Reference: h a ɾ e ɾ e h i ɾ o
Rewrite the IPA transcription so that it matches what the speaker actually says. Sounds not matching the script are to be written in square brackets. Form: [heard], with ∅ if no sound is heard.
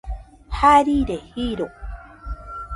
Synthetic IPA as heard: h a ɾ [i] ɾ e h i ɾ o